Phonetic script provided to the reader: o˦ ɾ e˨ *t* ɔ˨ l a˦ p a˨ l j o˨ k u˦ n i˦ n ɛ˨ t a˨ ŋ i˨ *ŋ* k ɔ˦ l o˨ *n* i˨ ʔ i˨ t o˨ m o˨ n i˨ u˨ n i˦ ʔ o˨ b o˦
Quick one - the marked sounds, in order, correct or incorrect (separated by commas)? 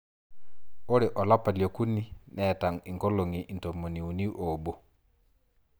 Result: incorrect, correct, incorrect